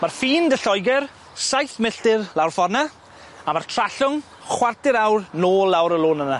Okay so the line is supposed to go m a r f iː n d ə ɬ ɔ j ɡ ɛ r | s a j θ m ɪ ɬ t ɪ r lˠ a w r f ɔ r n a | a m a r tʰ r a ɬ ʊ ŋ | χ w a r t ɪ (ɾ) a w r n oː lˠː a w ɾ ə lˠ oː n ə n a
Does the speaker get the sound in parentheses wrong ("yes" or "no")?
no